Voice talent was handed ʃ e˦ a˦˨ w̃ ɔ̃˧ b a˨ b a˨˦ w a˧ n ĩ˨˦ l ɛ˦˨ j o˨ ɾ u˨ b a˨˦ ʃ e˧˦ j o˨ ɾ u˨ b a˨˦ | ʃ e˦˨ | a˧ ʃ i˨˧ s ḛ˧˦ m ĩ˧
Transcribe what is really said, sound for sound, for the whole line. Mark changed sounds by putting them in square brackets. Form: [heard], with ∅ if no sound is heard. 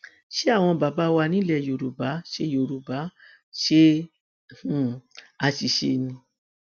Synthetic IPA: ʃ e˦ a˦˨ w̃ ɔ̃˧ b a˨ b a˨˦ w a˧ n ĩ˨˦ l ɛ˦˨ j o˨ ɾ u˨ b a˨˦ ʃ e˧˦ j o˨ ɾ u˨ b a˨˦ | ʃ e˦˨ | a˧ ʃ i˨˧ [ʃ] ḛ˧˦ [n] ĩ˧